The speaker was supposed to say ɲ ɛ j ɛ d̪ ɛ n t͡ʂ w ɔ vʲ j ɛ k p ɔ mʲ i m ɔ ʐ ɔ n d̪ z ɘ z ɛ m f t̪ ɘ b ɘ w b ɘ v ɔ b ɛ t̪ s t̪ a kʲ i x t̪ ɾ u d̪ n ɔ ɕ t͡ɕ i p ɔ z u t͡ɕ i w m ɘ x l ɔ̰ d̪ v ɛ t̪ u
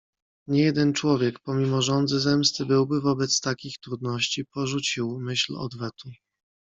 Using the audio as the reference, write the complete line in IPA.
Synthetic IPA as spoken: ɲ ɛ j ɛ d̪ ɛ n t͡ʂ w ɔ vʲ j ɛ k p ɔ mʲ i m ɔ ʐ ɔ n d̪ z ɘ z ɛ m s t̪ ɘ b ɘ w b ɘ v ɔ b ɛ t̪ s t̪ a kʲ i x t̪ ɾ u d̪ n ɔ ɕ t͡ɕ i p ɔ ʐ u t͡ɕ i w m ɘ ɕ l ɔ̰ d̪ v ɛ t̪ u